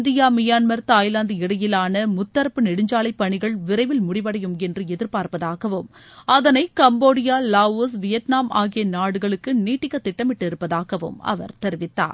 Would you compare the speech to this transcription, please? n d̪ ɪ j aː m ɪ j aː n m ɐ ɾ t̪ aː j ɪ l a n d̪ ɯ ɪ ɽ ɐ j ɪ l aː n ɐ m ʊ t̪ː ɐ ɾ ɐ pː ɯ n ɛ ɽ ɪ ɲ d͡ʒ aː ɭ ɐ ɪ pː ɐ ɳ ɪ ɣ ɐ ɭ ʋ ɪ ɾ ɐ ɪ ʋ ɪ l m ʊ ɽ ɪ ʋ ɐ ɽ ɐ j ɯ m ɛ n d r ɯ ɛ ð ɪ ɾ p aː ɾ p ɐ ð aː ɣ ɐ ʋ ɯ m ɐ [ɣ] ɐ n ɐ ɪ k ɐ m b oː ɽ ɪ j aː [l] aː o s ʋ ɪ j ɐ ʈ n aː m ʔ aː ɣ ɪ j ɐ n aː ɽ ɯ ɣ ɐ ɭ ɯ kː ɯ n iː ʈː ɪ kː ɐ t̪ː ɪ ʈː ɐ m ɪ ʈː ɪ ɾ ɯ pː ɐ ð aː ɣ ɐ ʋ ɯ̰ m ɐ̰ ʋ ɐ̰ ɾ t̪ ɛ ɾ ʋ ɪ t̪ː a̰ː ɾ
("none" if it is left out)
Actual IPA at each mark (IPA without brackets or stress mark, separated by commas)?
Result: ð, l